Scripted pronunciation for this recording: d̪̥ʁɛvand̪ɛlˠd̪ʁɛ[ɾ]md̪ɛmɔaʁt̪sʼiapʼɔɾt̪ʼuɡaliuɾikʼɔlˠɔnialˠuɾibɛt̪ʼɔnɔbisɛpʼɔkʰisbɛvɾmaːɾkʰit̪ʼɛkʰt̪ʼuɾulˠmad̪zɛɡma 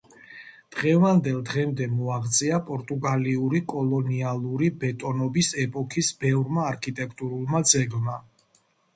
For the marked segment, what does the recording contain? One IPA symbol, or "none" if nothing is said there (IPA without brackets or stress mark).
none